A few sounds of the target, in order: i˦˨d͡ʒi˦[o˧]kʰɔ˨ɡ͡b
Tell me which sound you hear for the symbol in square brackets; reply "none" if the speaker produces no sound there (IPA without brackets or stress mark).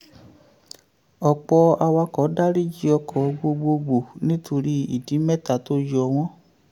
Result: ɔ˧